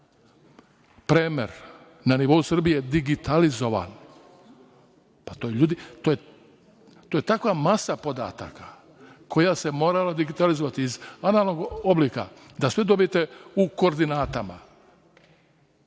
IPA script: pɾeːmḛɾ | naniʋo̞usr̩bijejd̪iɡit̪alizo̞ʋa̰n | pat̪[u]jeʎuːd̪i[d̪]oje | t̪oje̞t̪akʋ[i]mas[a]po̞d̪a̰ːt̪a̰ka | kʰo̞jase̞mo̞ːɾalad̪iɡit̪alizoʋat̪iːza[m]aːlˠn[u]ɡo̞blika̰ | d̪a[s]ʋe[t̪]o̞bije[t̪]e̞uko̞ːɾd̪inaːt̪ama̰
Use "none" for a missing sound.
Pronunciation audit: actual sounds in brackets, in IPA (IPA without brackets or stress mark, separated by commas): o, t̪, a, a, n, o, s, d̪, t̪